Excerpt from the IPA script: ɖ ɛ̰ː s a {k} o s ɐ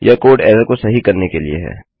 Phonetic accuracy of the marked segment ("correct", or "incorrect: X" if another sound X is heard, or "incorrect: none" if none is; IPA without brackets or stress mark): correct